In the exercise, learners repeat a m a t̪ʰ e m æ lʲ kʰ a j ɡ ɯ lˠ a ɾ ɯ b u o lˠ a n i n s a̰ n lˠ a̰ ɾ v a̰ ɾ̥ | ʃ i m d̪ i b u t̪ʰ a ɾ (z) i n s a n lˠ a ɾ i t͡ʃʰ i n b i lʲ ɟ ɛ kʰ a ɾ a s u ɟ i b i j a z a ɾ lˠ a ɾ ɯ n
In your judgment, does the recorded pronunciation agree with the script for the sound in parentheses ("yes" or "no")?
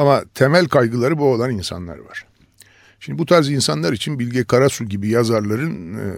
yes